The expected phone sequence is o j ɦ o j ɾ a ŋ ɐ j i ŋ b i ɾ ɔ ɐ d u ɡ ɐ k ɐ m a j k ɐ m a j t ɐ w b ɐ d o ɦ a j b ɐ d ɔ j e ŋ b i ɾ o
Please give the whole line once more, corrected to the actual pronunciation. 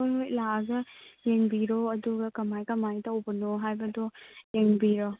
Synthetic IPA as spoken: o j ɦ o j l a ɡ ɐ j e ŋ b i ɾ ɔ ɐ d u ɡ ɐ k ɐ m a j k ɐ m a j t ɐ w b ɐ n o ɦ a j b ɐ d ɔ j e ŋ b i ɾ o